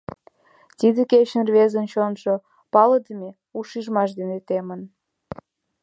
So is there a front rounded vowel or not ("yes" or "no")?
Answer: no